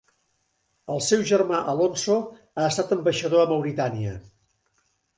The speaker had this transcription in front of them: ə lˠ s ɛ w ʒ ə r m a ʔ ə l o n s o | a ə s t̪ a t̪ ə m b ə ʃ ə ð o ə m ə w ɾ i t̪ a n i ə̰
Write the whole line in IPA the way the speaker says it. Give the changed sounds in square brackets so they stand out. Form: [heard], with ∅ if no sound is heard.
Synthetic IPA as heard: ə lˠ s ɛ w ʒ ə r m a ʔ ə l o n s o | a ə s t̪ a t̪ ə m b ə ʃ ə ð o ə m ə w ɾ i t̪ a n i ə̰